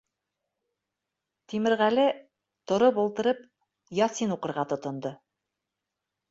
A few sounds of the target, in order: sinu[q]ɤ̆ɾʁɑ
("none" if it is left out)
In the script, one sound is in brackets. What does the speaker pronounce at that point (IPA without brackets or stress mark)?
q